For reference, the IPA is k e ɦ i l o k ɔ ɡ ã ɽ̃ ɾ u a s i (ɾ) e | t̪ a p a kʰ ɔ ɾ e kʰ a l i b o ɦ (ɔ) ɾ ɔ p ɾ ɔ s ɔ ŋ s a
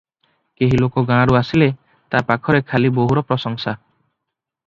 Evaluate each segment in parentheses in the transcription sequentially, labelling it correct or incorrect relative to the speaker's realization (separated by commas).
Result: incorrect, incorrect